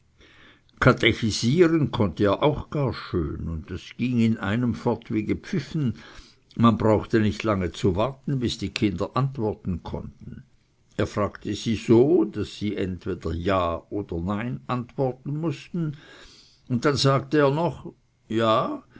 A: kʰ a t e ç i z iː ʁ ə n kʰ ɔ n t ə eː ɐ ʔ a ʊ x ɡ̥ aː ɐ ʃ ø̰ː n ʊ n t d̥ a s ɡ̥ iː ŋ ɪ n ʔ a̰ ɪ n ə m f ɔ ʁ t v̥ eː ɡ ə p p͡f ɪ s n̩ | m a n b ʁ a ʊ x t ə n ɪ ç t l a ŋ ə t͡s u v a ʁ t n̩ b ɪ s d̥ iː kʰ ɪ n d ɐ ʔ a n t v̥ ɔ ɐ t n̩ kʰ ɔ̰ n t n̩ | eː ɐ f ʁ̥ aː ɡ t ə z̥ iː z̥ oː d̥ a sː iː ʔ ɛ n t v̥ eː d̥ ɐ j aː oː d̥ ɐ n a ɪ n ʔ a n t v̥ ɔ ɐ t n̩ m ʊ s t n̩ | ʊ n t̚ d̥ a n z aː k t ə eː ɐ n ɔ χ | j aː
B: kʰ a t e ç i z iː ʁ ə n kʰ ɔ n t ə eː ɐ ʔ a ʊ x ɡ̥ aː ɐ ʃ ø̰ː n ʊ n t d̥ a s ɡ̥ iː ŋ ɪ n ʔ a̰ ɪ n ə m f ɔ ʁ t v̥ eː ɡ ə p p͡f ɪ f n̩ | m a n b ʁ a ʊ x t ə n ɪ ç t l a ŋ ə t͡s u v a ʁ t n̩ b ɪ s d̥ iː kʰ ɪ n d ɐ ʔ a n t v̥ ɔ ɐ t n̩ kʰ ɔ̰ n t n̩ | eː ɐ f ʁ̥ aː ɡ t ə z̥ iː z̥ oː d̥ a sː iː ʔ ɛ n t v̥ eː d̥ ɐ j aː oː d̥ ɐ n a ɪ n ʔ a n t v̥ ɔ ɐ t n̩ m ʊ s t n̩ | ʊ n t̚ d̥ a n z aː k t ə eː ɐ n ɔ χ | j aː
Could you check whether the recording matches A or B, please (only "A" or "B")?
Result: B